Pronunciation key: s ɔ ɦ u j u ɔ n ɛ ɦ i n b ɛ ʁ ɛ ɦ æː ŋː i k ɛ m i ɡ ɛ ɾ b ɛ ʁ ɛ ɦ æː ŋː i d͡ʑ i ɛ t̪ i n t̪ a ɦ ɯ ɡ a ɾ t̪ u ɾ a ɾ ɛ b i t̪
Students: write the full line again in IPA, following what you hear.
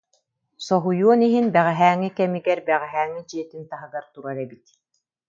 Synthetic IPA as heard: s ɔ ɦ u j u ɔ n i ɦ i n b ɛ ʁ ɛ ɦ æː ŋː i k ɛ m i ɡ ɛ ɾ b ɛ ʁ ɛ ɦ æː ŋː i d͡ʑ i ɛ t̪ i n t̪ a ɦ ɯ ɡ a ɾ t̪ u ɾ a ɾ ɛ b i t̪